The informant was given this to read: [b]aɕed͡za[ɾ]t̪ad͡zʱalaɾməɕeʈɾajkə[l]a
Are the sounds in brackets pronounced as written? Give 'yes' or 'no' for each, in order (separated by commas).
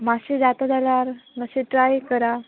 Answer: no, no, no